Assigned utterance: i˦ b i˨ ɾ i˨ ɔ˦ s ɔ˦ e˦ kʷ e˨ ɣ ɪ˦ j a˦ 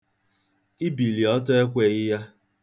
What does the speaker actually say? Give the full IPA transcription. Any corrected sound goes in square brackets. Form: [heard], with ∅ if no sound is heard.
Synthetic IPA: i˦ b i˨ [l] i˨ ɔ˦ [t] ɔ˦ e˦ kʷ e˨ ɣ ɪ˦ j a˦